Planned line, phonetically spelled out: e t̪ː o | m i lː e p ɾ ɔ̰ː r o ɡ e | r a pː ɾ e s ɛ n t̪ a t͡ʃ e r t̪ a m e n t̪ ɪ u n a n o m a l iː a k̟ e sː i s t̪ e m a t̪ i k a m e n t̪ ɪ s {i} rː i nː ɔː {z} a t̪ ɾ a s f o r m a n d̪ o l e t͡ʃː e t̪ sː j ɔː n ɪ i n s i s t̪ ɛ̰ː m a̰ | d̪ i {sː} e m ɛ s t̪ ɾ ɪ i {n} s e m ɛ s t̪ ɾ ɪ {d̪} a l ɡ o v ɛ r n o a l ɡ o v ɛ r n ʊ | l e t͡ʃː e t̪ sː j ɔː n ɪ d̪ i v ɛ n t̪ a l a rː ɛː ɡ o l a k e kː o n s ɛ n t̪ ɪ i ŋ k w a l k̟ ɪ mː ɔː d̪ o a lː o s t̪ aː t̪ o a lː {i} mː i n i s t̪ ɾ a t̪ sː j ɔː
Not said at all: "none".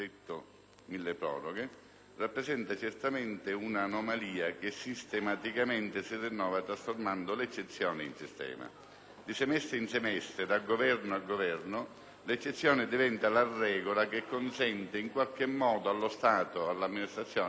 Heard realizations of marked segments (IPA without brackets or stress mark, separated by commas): i, v, s, n, d̪, a